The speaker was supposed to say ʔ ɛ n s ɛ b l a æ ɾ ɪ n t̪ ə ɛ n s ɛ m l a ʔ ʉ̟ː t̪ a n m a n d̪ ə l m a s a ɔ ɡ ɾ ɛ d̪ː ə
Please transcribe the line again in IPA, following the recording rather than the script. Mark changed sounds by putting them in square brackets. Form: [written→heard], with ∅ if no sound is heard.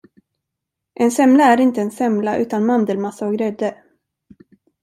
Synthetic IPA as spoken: ʔ ɛ n s ɛ [b→m] l a æ ɾ ɪ n t̪ ə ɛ n s ɛ m l a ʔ ʉ̟ː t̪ a n m a n d̪ ə l m a s a ɔ ɡ ɾ ɛ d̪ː ə